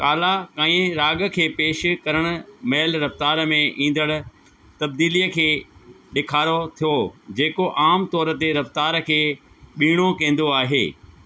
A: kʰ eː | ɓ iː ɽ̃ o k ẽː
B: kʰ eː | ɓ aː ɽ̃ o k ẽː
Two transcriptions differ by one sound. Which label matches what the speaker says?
A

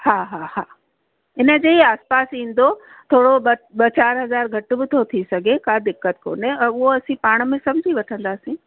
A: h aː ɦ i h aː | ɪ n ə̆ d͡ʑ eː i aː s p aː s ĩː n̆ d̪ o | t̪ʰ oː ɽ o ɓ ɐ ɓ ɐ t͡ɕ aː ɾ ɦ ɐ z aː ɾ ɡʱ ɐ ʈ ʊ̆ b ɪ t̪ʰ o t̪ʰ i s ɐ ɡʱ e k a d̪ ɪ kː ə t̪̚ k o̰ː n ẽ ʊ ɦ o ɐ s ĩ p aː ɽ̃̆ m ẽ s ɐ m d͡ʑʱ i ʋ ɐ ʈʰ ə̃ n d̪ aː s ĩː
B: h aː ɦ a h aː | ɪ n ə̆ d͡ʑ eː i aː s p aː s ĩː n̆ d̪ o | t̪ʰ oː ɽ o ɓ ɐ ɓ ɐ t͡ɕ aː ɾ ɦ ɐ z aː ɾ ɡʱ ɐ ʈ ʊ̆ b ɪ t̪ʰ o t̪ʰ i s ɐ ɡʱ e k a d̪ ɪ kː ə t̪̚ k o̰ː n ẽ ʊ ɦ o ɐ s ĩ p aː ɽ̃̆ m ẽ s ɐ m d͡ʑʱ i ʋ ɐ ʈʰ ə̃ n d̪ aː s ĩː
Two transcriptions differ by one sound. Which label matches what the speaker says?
B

